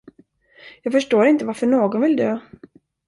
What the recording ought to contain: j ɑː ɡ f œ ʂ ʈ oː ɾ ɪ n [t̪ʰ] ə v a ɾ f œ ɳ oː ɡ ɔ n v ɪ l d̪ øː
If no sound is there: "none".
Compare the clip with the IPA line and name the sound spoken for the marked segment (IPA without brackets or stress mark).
t̪